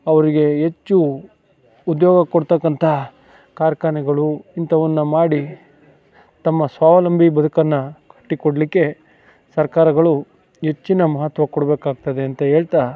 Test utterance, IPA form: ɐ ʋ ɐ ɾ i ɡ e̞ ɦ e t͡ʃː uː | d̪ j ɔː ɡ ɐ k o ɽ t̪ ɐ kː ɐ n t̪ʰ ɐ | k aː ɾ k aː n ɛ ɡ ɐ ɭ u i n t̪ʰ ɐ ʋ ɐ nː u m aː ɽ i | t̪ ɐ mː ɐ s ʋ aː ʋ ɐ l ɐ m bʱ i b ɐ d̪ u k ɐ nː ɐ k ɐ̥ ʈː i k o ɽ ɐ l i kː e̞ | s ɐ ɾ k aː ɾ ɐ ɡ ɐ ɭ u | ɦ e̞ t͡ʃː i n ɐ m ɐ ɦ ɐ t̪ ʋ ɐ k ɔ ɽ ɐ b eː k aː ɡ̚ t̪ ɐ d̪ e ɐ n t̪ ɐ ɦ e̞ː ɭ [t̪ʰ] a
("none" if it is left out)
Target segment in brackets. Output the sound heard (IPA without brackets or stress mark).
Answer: t̪